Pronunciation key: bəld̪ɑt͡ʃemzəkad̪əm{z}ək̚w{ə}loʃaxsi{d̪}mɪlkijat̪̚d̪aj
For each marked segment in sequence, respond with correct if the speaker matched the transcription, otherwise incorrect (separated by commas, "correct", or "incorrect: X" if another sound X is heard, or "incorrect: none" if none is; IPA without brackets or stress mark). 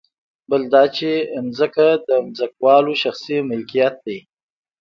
correct, incorrect: ɑ, incorrect: none